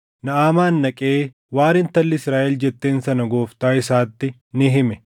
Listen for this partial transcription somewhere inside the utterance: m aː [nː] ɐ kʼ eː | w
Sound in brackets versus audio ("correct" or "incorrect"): correct